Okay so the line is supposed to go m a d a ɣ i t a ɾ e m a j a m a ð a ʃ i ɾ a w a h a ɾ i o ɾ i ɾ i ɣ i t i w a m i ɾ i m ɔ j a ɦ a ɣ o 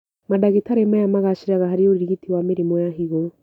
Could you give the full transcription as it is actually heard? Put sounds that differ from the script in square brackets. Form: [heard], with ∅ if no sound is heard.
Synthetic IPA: m a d a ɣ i t a ɾ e m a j a m a [ɣ] a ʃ i ɾ a [ɣ] a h a ɾ i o ɾ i ɾ i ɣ i t i w a m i ɾ i m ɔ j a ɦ [i] ɣ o

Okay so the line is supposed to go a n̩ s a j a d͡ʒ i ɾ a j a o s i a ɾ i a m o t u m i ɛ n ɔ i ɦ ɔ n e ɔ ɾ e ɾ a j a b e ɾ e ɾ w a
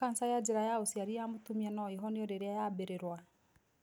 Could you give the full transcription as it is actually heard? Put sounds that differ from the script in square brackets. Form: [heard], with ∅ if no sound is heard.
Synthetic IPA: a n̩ s a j a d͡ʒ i ɾ a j a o s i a ɾ i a m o t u m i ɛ n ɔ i ɦ ɔ n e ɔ ɾ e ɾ a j a b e ɾ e ɾ w a

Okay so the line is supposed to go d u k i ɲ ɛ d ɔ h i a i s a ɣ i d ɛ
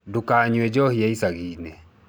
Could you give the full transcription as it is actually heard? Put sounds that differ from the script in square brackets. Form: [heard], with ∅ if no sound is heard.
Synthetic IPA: d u k [a] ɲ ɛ [d͡ʒ] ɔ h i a i s a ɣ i [n] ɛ

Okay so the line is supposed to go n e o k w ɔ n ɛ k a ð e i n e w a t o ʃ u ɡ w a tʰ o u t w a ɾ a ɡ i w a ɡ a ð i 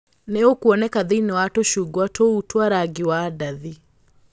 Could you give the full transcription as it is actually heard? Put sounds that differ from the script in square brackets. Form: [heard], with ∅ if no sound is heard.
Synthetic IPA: n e o k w ɔ n ɛ k a ð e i n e w a t o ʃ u ɡ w a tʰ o u t w a ɾ a ɡ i w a [d] a ð i

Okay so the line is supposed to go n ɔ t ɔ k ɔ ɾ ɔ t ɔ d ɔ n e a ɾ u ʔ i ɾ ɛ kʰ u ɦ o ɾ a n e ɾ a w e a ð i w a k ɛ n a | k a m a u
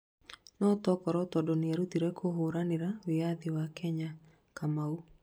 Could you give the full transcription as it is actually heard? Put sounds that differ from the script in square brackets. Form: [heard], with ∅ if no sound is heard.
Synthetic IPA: n ɔ t ɔ k ɔ ɾ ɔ t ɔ d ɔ n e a ɾ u [t] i ɾ ɛ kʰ [o] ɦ o ɾ a n e ɾ a w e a ð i w a k ɛ [ɲ] a | k a m a u

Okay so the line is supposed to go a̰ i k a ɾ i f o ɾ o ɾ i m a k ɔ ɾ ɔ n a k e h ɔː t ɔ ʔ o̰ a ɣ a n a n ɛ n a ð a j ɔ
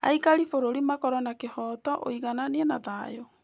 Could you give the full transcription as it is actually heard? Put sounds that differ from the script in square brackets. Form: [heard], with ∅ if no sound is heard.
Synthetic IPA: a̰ i k a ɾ i f o ɾ o ɾ i m a k ɔ ɾ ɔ n a k e h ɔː t ɔ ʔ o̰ [i] ɣ a n a n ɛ n a ð a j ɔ

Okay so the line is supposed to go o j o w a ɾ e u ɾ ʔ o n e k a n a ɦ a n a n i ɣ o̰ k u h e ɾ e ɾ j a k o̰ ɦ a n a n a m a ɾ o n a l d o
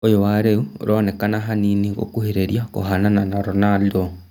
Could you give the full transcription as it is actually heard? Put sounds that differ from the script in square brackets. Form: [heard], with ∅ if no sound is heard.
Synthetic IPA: o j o w a ɾ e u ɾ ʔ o n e k a n a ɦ a n [i] n i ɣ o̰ k u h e ɾ e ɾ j a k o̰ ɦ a n a n a [n] a ɾ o n a l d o

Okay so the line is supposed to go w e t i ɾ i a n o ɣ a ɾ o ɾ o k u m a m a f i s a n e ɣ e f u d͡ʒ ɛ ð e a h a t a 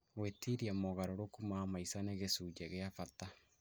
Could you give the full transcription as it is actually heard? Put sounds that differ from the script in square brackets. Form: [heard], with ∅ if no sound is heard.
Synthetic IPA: w e t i ɾ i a [m] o ɣ a ɾ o ɾ o k u m a m a [∅] i s a n e ɣ e [s] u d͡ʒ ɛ [ɣ] e a [f] a t a

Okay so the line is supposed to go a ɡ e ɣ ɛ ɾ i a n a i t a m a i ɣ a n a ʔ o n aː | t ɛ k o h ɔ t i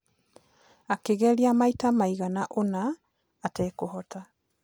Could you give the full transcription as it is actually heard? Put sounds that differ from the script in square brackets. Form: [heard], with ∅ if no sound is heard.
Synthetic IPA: a [k] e ɣ ɛ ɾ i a [m] a i t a m a i ɣ a n a ʔ o n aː | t ɛ k o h ɔ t [a]

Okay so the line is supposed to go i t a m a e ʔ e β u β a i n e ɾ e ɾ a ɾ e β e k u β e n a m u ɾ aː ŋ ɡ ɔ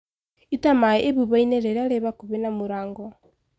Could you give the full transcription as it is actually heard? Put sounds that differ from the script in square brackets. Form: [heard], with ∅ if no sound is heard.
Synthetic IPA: i t a m a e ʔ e β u β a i n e ɾ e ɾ a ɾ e β [a] k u β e n a m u ɾ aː ŋ ɡ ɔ

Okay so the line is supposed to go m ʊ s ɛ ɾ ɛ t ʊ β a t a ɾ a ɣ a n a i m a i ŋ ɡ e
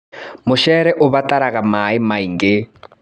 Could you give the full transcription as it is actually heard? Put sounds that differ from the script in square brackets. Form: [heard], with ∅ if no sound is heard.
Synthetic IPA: m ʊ [ʃ] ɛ ɾ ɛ [ʔ] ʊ β a t a ɾ a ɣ a [m] a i m a i ŋ ɡ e

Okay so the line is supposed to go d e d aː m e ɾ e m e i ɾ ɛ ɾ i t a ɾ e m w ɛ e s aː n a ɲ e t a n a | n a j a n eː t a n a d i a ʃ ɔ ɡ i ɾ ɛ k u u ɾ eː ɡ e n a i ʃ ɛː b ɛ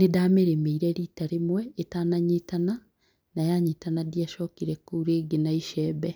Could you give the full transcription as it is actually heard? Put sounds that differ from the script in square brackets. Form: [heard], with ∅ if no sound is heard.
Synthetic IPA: [n] e d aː m e ɾ e m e i ɾ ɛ ɾ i t a ɾ e m w ɛ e [t] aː n a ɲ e t a n a | n a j a [ɲ] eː t a n a d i a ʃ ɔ [k] i ɾ ɛ k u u ɾ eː ɡ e n a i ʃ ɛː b ɛ

